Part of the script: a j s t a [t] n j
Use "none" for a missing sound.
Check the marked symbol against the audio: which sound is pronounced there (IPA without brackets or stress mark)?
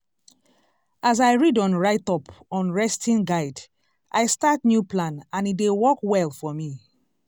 t